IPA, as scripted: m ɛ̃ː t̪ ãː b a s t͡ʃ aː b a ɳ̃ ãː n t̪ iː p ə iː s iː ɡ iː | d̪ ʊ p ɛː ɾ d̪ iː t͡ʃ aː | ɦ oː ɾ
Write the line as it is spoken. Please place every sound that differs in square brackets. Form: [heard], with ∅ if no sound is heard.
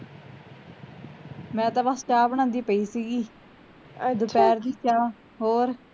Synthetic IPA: m ɛ̃ː t̪ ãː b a s t͡ʃ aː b [ə] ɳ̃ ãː n [d̪] iː p ə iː s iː ɡ iː | d̪ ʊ p ɛː ɾ d̪ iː t͡ʃ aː | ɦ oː ɾ